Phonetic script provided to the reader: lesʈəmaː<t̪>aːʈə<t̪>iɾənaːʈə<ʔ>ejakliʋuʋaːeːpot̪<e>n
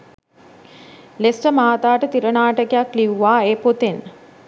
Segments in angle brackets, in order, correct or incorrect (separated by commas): correct, correct, incorrect, correct